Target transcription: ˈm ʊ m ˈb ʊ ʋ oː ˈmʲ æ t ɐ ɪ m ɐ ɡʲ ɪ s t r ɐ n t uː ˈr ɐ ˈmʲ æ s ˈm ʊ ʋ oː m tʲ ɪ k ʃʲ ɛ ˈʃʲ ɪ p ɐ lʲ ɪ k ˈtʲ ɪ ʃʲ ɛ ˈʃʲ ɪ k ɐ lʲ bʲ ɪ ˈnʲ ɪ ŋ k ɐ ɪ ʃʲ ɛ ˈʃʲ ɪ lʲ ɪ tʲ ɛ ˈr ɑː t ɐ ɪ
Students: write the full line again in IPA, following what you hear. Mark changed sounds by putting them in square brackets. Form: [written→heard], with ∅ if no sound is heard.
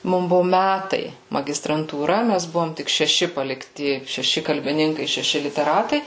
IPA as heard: ˈm ʊ m ˈb ʊ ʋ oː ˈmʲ æ t ɐ ɪ m ɐ ɡʲ ɪ s t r ɐ n t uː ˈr ɐ ˈmʲ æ s [ˈm→ˈb] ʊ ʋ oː m tʲ ɪ k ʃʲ ɛ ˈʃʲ ɪ p ɐ lʲ ɪ k ˈtʲ ɪ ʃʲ ɛ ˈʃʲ ɪ k ɐ lʲ bʲ ɪ ˈnʲ ɪ ŋ k ɐ ɪ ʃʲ ɛ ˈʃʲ ɪ lʲ ɪ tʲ ɛ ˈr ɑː t ɐ ɪ